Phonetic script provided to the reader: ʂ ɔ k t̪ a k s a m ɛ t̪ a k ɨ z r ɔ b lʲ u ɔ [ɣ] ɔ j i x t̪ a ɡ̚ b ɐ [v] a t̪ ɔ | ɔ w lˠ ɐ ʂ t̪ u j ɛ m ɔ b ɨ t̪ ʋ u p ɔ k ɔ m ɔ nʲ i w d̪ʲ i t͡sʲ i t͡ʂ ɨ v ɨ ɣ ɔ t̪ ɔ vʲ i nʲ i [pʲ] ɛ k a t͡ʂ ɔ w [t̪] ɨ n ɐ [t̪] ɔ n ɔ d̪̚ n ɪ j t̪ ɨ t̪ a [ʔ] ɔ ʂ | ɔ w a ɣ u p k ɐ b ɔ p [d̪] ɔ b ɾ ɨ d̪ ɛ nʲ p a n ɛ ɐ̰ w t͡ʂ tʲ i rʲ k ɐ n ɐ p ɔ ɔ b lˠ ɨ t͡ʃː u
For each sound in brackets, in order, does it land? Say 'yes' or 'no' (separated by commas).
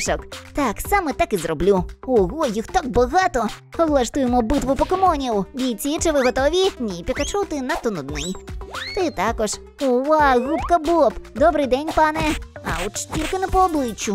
yes, no, yes, yes, yes, no, yes